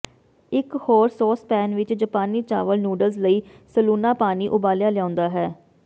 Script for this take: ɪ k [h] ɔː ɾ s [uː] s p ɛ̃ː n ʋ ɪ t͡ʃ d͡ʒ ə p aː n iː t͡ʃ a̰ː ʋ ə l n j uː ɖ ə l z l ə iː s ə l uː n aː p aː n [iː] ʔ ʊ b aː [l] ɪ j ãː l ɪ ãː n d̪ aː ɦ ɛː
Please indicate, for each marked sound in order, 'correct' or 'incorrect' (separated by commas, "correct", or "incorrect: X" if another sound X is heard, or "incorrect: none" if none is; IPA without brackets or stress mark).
correct, incorrect: ɔː, correct, correct